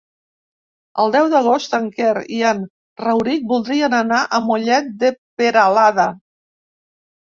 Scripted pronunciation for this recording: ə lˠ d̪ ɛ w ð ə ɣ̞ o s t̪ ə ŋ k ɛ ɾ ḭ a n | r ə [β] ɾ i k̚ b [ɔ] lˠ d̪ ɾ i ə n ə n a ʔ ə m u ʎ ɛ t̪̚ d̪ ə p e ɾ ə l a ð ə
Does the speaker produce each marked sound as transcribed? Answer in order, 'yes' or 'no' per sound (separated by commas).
no, no